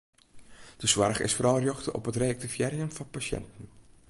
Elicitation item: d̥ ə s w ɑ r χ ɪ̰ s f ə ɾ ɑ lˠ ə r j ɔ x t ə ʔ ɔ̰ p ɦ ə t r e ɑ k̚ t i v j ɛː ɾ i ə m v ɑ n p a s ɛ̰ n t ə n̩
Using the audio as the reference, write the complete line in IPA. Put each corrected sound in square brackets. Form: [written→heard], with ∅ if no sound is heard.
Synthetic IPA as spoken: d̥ ə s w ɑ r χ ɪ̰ s f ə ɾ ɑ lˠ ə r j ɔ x t ə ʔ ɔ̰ p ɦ ə t r e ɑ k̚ t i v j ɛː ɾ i ə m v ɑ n p a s ɛ̰ n t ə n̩

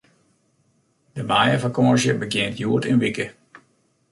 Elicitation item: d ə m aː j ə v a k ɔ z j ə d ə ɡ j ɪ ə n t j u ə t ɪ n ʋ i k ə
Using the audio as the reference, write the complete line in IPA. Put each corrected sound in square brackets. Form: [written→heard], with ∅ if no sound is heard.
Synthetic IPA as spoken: d ə m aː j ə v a k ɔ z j ə [d→b] ə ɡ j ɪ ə n t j u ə t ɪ n ʋ i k ə

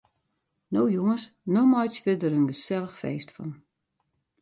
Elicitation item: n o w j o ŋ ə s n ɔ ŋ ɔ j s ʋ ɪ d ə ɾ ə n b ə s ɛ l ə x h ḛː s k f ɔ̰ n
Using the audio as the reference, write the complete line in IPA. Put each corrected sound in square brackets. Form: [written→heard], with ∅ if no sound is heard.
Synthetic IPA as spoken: n o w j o ŋ ə s n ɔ [ŋ→m] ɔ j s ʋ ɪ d ə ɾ ə n [b→ɡ] ə s ɛ l ə x [h→f] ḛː s [k→t] f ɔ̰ n

